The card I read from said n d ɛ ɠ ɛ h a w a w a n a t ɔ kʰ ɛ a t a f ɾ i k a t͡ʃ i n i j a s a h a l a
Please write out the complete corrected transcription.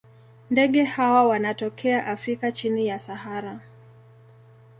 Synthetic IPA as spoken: n d ɛ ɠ ɛ h a w a w a n a t ɔ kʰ ɛ a ʔ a f ɾ i k a t͡ʃ i n i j a s a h a ɾ a